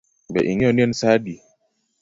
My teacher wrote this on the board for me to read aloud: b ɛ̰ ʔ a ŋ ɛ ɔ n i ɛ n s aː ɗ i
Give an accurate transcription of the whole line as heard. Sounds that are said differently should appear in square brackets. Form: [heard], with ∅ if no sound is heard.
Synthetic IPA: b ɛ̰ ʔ [i] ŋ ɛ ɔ n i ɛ n s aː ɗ i